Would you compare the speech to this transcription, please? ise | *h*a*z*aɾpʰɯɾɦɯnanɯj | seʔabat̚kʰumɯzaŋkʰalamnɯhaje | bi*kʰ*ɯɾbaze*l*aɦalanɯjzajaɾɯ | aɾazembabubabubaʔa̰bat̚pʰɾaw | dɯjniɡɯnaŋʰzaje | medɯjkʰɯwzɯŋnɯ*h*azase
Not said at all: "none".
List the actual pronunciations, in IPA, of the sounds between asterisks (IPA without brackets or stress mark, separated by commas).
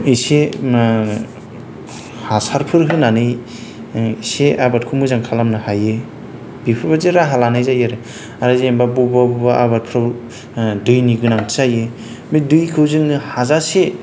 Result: h, s, pʰ, ɾ, h